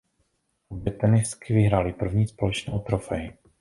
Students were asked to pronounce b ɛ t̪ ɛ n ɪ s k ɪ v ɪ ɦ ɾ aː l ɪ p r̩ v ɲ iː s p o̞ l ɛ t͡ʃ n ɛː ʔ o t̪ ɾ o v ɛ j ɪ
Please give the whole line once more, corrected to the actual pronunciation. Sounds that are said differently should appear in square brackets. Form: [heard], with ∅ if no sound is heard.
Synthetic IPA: b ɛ t̪ ɛ n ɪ s k ɪ v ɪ ɦ ɾ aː l ɪ p r̩ v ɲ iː s p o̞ l ɛ t͡ʃ n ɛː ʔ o t̪ ɾ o [f] ɛ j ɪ